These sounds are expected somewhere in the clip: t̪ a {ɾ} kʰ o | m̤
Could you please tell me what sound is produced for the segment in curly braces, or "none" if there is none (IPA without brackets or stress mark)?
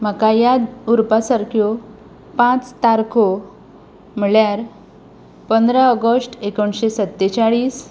ɾ